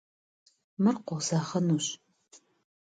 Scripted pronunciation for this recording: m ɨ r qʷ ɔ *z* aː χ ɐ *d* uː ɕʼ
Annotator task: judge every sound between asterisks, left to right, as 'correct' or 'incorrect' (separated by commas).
correct, incorrect